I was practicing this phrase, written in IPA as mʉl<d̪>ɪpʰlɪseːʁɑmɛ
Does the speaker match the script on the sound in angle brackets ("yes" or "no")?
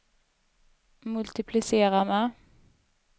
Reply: no